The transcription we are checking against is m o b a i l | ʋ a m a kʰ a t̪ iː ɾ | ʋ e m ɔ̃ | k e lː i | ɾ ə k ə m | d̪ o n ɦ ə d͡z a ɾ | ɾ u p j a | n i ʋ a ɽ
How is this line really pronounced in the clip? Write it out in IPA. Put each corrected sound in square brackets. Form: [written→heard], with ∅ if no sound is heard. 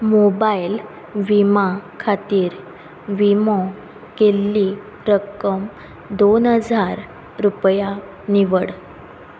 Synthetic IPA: m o b a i l | ʋ [a→i] m a kʰ a t̪ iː ɾ | ʋ [e→i] m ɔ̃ | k e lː i | ɾ ə k ə m | d̪ o n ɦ ə d͡z a ɾ | ɾ u p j a | n i ʋ [a→ə] ɽ